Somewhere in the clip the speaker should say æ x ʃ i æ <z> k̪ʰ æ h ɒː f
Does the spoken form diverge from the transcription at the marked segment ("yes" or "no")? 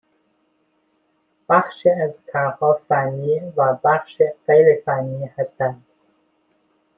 no